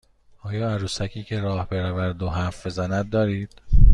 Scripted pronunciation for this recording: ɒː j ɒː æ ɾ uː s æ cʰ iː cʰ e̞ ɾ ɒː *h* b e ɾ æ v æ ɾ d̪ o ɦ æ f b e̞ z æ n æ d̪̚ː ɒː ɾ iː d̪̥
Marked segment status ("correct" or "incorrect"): correct